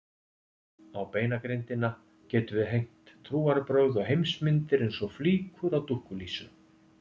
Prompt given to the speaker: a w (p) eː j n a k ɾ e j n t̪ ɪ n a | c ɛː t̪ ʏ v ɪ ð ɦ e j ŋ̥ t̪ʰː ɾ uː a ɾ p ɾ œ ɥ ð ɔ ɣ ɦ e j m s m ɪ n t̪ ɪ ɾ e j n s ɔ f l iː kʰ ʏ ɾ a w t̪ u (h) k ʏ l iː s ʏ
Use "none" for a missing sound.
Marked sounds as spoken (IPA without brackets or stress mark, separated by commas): p, h